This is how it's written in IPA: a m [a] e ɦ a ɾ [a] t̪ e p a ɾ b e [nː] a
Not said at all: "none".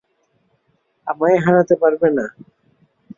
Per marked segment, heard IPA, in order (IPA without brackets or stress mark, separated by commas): a, a, n